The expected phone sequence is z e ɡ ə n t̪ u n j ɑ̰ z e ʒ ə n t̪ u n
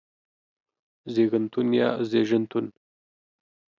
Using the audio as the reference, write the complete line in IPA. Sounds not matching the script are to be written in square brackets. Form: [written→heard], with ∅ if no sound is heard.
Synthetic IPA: z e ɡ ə n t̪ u n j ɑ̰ z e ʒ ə n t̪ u n